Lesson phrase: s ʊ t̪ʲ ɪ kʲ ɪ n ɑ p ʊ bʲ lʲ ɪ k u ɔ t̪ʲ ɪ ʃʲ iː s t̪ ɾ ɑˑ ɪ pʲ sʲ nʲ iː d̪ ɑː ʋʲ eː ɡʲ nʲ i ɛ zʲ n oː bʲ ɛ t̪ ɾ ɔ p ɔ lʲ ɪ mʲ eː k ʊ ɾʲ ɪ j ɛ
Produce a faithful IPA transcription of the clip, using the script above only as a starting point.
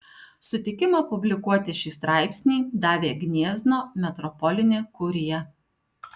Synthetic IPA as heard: s ʊ t̪ʲ ɪ kʲ ɪ m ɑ p ʊ bʲ lʲ ɪ k u ɔ t̪ʲ ɪ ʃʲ iː s t̪ ɾ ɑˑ ɪ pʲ sʲ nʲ iː d̪ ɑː ʋʲ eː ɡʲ nʲ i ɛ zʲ n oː mʲ ɛ t̪ ɾ ɔ p ɔ lʲ ɪ nʲ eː k ʊ ɾʲ ɪ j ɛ